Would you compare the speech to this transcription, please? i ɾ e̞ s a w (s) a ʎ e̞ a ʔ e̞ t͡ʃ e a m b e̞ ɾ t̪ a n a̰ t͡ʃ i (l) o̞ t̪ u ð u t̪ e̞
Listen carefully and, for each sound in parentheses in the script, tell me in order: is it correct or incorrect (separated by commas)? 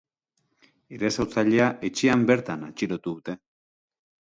incorrect, incorrect